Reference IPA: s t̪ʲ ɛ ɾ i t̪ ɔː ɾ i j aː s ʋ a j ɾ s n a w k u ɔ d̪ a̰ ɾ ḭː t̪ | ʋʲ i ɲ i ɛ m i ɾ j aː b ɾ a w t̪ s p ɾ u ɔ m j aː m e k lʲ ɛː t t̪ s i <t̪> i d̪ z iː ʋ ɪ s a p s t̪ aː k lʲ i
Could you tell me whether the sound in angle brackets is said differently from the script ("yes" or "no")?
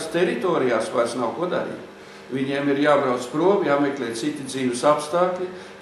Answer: no